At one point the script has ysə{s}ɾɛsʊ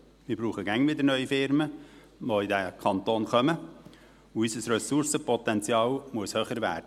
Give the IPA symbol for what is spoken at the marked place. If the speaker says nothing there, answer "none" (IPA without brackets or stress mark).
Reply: s